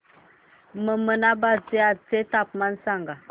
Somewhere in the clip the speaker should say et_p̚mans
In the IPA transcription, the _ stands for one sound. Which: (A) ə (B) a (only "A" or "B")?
B